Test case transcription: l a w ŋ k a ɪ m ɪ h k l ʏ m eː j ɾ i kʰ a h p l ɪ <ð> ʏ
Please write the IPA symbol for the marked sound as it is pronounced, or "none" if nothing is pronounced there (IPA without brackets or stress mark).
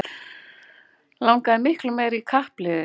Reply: ð